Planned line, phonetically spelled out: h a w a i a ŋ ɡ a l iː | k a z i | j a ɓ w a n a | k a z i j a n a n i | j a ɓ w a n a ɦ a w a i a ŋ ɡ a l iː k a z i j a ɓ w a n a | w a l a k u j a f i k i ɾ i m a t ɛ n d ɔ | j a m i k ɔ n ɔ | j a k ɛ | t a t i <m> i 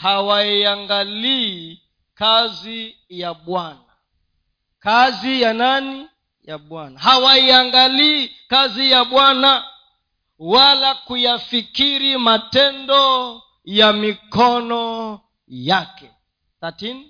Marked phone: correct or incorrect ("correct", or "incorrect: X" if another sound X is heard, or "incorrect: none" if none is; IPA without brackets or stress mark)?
incorrect: n